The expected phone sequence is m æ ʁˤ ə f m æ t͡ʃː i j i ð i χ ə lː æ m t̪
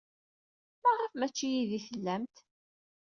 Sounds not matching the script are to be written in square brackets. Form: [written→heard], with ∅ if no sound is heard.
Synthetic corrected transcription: m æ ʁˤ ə f m æ t͡ʃː i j i ð i [χ→θ] ə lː æ m t̪